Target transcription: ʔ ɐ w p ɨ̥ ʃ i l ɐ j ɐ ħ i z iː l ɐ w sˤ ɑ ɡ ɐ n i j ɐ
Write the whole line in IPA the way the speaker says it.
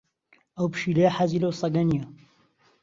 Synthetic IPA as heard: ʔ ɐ w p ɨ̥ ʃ i l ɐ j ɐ ħ a z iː l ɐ w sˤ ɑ ɡ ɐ n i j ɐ